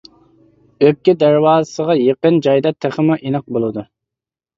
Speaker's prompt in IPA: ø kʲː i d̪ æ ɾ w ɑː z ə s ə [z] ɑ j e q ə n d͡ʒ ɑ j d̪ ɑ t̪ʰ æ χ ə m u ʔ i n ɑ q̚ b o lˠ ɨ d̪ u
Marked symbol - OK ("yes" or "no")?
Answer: no